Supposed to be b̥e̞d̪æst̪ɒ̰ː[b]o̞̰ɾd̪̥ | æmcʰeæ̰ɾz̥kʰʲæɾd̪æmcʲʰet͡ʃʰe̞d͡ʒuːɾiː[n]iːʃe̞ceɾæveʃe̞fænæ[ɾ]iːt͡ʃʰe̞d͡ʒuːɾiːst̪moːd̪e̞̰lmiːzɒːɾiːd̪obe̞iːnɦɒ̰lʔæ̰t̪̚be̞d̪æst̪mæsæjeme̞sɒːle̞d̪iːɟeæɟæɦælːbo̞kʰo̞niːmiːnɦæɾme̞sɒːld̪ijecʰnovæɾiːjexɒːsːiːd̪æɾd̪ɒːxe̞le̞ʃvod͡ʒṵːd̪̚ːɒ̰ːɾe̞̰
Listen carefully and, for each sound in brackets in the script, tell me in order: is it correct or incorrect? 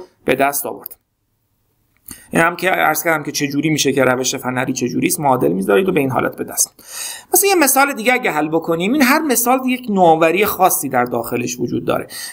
incorrect, incorrect, correct

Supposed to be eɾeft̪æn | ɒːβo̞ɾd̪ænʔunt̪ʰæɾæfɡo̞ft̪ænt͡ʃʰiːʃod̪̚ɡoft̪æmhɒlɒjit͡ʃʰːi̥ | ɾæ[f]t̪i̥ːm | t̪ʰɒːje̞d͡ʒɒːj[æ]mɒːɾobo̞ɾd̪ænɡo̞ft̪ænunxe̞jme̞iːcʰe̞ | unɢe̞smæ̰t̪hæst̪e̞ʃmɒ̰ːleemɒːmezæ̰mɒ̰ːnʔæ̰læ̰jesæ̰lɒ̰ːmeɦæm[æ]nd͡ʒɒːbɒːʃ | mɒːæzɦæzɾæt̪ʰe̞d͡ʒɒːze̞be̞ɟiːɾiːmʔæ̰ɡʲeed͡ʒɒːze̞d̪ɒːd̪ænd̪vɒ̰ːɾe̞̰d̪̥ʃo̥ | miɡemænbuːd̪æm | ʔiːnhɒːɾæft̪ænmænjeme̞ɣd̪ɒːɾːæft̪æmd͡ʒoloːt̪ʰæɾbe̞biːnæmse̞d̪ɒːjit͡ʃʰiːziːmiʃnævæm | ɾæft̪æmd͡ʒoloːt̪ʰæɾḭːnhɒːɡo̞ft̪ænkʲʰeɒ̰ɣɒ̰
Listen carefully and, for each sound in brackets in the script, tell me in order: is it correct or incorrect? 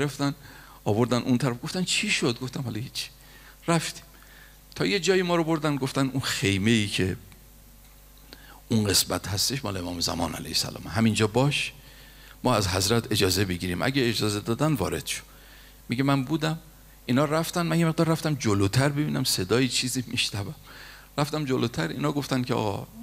correct, incorrect, incorrect

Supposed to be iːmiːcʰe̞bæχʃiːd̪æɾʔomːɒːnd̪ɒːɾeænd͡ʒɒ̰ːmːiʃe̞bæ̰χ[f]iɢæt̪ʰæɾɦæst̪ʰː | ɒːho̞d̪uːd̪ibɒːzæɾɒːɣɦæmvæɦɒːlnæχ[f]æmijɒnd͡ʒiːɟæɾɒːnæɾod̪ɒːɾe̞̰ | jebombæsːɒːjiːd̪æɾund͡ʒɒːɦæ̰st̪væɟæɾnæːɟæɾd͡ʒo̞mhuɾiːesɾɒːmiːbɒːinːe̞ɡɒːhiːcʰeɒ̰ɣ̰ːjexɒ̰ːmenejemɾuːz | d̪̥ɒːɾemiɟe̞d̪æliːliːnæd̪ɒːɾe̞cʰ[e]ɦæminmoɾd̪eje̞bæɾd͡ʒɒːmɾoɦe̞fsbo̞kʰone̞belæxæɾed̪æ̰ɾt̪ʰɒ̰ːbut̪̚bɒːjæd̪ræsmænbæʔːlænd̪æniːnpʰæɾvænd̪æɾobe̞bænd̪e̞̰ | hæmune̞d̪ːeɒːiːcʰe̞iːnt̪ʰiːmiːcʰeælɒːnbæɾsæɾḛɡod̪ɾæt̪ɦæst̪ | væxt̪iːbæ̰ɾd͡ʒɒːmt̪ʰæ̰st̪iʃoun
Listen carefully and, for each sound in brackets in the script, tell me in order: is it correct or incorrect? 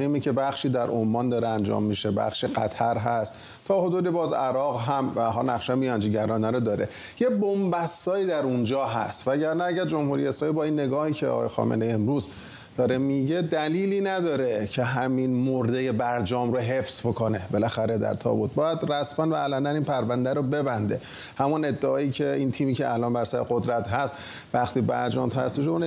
incorrect, incorrect, correct

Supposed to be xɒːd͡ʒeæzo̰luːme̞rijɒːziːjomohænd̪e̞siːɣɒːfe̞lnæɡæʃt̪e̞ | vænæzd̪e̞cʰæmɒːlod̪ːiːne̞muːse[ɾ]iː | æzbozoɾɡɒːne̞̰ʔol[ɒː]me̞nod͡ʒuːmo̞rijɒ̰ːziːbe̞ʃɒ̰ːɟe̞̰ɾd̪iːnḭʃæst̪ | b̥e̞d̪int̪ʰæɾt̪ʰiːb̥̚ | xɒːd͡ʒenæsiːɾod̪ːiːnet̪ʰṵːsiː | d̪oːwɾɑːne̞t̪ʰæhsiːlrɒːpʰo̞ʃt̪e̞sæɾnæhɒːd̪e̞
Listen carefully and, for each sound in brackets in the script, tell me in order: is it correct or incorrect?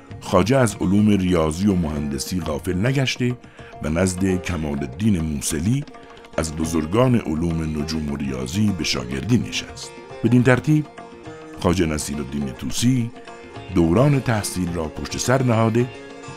incorrect, incorrect

